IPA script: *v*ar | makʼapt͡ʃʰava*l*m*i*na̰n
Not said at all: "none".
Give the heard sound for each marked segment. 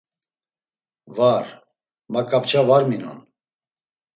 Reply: v, ɾ, i

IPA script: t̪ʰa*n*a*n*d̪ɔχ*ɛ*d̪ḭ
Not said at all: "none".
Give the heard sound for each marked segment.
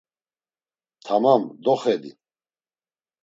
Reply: m, m, ɛ

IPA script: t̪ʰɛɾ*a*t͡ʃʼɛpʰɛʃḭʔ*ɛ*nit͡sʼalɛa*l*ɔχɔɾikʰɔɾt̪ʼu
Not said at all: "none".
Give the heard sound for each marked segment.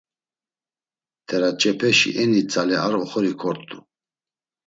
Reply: a, ɛ, ɾ

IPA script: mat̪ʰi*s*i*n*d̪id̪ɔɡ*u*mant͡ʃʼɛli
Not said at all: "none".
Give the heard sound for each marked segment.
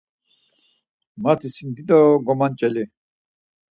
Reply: s, n, ɔ

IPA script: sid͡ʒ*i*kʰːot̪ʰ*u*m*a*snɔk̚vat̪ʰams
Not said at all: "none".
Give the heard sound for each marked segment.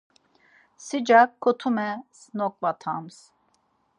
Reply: a, u, ɛ

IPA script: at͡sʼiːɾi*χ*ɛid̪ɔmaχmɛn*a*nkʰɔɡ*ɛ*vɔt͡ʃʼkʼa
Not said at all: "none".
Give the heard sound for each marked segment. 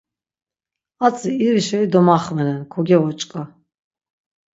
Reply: ʃ, ɛ, ɛ

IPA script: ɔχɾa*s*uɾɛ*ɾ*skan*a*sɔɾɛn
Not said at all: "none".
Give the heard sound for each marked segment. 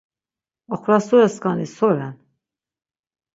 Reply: s, none, i

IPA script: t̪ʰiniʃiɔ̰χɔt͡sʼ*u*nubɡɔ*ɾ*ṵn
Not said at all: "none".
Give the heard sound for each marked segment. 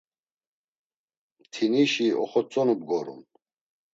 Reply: ɔ, ɾ

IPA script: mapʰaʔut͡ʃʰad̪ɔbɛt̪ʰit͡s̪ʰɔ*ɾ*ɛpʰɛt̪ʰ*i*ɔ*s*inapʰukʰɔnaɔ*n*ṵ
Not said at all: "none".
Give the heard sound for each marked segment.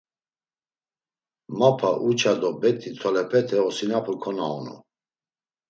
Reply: l, ɛ, s, n

